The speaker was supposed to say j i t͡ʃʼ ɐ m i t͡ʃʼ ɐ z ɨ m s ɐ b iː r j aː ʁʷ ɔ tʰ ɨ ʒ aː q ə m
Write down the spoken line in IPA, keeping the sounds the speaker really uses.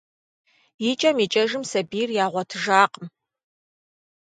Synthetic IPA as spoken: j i t͡ʃʼ ɐ m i t͡ʃʼ ɐ ʒ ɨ m s ɐ b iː r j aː ʁʷ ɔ tʰ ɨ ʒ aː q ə m

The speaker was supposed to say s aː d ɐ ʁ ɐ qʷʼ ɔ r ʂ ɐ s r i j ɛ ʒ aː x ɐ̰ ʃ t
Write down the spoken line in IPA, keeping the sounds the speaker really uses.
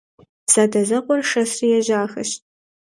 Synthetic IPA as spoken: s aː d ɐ z ɐ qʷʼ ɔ r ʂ ɐ s r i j ɛ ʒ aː x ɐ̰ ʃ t

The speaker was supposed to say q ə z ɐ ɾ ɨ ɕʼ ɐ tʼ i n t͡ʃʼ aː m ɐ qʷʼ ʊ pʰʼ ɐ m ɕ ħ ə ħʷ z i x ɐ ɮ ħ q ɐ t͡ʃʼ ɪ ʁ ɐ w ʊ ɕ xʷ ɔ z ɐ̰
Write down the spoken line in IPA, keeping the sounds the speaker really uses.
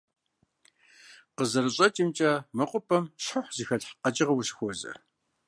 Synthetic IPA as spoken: q ə z ɐ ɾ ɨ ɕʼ ɐ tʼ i m t͡ʃʼ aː m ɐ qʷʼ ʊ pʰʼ ɐ m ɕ ħ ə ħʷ z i x ɐ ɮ ħ q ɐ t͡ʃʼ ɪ ʁ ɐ w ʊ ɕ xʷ ɔ z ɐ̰

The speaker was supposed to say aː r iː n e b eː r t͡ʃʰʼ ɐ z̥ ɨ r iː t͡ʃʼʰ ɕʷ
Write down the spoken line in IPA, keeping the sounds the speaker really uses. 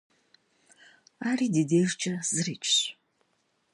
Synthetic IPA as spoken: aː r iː d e d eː r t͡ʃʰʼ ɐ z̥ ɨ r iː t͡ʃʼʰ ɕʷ

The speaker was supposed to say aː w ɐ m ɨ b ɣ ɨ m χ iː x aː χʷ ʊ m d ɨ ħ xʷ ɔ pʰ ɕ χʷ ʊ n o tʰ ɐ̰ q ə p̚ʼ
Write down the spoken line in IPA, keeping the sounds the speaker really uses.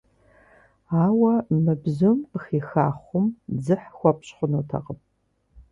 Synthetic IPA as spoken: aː w ɐ m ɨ b z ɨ m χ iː x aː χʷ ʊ m d͡z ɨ ħ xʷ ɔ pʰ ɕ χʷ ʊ n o tʰ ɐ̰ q ə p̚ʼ

